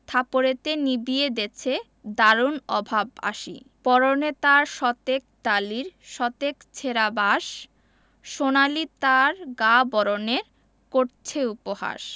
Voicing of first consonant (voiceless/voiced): voiceless